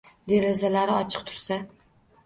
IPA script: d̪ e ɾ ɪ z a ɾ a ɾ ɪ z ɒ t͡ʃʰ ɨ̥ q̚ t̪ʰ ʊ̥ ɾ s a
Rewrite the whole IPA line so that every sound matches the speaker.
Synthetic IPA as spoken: d̪ e ɾ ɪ z a l a ɾ ɪ ɒ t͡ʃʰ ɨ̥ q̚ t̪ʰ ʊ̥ ɾ s a